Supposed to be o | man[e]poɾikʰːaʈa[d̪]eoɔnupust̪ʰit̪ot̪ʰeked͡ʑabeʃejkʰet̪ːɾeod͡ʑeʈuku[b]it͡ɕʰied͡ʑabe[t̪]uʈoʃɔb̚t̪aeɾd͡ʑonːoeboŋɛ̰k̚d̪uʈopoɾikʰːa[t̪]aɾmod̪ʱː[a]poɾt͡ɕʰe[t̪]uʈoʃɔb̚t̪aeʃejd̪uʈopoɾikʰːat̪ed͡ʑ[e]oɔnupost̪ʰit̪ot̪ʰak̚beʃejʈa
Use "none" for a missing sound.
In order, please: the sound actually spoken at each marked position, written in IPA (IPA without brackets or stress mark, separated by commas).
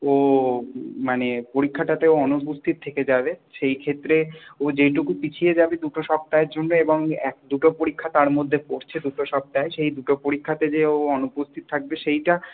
e, t̪, p, d̪, t̪, e, d̪, e